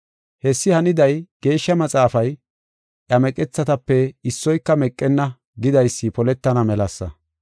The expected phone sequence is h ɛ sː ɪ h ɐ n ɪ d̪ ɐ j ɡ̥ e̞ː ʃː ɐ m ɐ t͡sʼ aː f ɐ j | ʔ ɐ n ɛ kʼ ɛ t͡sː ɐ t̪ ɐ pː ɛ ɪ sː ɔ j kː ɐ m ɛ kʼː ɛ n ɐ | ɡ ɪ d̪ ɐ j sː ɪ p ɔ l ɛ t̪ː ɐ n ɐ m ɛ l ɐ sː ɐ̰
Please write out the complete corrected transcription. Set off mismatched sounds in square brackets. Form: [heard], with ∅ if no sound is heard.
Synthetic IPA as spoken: h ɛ sː ɪ h ɐ n ɪ d̪ ɐ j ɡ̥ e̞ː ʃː ɐ m ɐ t͡sʼ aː f ɐ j | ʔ ɐ [m] ɛ kʼ ɛ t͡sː ɐ t̪ ɐ pː ɛ ɪ sː ɔ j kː ɐ m ɛ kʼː ɛ [nː] ɐ | ɡ ɪ d̪ ɐ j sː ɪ p ɔ l ɛ t̪ː ɐ n ɐ m ɛ l ɐ sː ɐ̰